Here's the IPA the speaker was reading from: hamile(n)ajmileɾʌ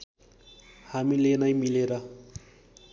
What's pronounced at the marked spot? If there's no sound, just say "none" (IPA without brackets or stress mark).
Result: n